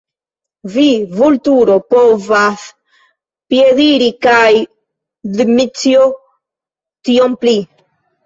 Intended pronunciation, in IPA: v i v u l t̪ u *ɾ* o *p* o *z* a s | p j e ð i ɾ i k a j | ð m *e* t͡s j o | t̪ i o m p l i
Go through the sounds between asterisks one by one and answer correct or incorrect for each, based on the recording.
correct, correct, incorrect, incorrect

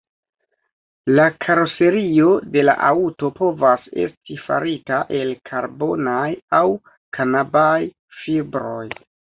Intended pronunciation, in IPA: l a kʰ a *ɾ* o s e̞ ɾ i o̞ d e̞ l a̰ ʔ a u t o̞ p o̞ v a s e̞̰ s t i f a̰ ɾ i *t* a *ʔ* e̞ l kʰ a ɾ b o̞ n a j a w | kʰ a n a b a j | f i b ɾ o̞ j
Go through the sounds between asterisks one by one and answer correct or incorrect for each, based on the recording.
correct, correct, correct

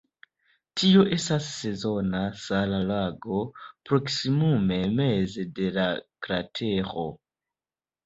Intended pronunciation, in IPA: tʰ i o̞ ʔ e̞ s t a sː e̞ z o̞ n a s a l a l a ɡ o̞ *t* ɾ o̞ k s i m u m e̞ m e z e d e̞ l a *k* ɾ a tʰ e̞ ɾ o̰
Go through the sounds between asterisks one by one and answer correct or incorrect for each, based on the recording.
incorrect, correct

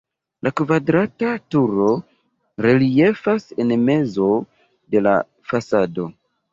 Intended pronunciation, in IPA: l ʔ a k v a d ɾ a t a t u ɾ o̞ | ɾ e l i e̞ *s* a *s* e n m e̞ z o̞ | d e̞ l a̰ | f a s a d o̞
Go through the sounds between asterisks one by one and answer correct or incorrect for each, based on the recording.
incorrect, correct

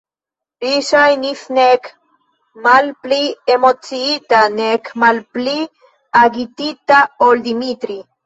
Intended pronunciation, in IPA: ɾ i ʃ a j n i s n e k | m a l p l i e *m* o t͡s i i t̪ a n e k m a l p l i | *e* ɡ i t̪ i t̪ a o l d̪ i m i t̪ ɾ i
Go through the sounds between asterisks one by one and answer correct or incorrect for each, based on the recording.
correct, incorrect

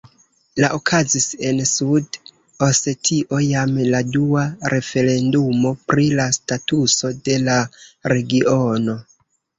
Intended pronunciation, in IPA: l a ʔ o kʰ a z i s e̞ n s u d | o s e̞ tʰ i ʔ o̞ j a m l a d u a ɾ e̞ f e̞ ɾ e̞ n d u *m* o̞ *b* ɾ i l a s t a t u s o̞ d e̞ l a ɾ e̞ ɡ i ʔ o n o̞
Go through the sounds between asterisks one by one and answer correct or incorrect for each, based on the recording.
correct, incorrect

